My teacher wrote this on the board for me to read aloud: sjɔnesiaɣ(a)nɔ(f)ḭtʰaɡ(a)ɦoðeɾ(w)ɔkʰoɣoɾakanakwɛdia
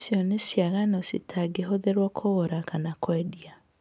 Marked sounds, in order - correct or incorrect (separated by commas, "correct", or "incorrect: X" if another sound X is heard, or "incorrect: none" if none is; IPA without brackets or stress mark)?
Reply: correct, incorrect: s, incorrect: e, correct